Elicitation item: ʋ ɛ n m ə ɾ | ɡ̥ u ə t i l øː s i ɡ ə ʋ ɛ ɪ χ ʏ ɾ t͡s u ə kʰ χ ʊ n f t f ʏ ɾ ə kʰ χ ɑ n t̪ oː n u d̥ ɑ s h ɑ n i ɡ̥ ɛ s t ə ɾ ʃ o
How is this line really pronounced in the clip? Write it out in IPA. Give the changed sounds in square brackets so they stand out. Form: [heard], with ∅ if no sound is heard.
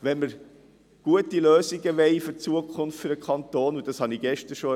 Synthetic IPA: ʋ ɛ n m ə ɾ | ɡ̥ u ə t i l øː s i ɡ ə ʋ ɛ ɪ [f] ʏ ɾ t͡s u ə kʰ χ ʊ n f t f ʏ ɾ ə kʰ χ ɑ n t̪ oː n u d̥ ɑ s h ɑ n i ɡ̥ ɛ [ʃ] t ə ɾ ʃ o